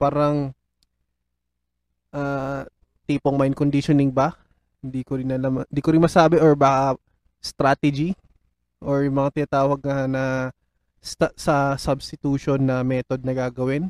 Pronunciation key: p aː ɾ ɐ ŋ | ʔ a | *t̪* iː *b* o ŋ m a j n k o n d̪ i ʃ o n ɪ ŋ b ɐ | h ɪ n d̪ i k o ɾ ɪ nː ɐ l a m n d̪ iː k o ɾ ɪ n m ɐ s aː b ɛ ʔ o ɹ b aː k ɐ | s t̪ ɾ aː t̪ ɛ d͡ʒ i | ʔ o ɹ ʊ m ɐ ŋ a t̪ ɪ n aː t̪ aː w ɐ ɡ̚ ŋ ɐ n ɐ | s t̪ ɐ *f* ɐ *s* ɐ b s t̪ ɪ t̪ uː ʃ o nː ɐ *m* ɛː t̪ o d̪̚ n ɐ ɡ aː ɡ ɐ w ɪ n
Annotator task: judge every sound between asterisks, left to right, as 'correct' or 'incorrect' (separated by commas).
correct, incorrect, incorrect, correct, correct